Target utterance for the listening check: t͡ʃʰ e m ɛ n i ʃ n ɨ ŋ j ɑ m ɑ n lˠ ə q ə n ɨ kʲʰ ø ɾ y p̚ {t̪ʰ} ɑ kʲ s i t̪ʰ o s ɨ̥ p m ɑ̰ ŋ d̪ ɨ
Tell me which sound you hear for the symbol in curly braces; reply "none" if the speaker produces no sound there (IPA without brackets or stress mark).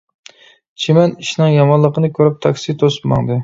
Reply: t̪ʰ